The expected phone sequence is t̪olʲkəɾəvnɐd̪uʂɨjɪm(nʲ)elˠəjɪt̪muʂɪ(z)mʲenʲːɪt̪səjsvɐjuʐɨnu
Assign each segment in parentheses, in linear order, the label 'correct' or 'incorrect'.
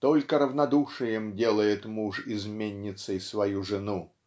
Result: incorrect, correct

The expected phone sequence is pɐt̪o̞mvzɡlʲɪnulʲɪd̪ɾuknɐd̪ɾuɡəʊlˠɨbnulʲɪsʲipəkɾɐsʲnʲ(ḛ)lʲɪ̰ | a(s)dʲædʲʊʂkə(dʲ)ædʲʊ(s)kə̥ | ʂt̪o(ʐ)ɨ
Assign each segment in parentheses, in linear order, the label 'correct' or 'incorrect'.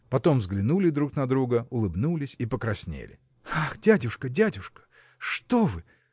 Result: correct, incorrect, correct, incorrect, incorrect

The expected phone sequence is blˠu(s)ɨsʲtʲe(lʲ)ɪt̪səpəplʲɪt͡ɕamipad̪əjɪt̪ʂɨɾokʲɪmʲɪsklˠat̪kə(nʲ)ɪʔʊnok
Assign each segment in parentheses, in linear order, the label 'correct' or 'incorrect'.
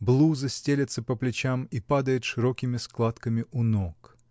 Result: incorrect, correct, incorrect

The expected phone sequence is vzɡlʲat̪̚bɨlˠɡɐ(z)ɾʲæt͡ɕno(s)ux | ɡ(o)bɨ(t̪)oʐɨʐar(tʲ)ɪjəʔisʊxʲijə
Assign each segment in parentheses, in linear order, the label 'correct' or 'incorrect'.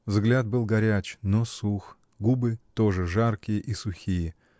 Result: incorrect, correct, incorrect, correct, incorrect

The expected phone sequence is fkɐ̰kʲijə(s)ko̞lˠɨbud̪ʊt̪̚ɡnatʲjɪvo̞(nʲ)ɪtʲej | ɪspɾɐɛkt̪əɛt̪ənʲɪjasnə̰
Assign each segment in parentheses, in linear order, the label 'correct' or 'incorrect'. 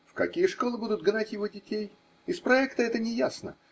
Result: incorrect, incorrect

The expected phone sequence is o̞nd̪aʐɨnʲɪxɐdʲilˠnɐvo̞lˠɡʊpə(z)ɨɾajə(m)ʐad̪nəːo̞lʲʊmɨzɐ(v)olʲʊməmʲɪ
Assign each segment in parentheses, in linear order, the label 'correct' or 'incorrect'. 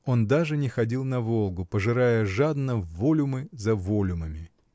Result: incorrect, incorrect, correct

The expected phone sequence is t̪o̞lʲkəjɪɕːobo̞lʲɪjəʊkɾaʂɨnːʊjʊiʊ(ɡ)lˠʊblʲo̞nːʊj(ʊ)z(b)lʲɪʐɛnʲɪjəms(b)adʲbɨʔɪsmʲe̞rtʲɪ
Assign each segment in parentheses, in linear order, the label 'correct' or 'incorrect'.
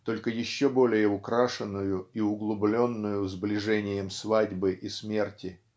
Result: correct, correct, correct, incorrect

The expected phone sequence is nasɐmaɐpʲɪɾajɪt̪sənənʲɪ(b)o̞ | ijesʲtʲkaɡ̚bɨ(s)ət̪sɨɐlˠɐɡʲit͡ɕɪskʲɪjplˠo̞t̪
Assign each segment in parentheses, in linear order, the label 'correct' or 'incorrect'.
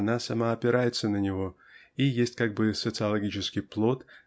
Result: incorrect, correct

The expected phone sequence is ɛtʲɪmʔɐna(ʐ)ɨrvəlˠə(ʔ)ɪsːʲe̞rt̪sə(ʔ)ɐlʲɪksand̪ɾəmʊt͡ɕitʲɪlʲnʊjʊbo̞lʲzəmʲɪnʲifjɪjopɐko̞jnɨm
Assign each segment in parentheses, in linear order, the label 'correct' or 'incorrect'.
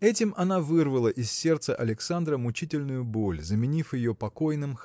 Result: incorrect, correct, correct

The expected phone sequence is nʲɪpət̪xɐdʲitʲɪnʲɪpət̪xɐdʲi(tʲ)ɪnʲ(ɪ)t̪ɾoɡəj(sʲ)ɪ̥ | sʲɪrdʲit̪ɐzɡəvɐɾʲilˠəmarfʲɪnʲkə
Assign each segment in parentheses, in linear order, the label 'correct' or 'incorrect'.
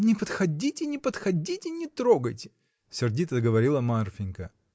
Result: correct, correct, incorrect

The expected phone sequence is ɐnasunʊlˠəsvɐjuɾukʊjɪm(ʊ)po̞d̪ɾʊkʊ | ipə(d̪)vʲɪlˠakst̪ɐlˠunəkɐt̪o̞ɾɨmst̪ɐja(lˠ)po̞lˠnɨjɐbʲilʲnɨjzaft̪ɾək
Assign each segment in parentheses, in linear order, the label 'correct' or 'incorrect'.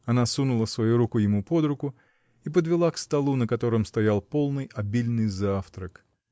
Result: incorrect, correct, correct

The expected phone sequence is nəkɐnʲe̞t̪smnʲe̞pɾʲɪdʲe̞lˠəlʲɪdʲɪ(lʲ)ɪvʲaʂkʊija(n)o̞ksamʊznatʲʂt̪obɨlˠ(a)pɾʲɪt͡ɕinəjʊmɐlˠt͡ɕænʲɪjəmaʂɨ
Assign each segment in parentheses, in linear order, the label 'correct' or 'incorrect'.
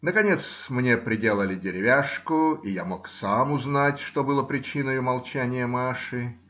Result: incorrect, incorrect, incorrect

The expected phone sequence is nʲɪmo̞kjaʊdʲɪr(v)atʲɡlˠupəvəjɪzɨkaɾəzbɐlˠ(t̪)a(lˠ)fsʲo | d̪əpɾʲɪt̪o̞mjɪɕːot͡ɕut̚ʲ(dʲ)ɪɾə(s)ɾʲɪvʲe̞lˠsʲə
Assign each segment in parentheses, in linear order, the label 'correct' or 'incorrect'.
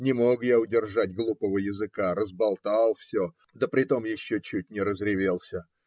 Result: incorrect, correct, correct, incorrect, incorrect

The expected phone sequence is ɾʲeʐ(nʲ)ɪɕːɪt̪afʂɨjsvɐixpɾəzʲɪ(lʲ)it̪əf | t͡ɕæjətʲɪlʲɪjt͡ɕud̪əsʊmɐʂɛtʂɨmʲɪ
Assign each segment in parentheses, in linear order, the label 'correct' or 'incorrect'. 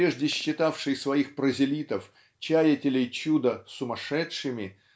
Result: incorrect, correct

